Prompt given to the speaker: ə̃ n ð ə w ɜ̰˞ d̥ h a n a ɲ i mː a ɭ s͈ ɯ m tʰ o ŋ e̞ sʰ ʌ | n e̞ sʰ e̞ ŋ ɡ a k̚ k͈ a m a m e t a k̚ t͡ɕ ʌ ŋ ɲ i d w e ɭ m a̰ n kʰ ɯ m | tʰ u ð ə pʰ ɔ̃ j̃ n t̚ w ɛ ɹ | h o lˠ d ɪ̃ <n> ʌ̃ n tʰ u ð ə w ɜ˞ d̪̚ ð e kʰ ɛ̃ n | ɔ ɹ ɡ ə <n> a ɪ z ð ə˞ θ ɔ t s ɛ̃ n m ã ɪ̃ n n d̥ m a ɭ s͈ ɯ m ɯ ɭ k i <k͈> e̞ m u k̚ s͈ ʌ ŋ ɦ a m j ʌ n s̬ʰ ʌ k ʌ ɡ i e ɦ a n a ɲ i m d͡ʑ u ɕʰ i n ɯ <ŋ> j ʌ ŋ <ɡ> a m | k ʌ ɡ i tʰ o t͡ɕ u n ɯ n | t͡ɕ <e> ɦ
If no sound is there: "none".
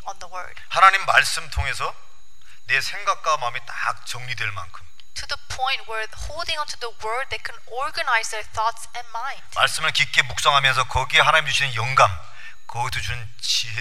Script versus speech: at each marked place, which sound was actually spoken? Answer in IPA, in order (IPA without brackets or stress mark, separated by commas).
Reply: ŋ, n, k͈, n, ɡ, i